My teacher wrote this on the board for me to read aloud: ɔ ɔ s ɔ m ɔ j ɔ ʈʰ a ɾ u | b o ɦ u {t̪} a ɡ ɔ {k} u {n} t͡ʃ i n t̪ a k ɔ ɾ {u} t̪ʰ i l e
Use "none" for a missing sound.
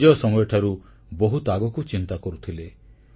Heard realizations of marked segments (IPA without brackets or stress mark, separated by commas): t̪, k, none, u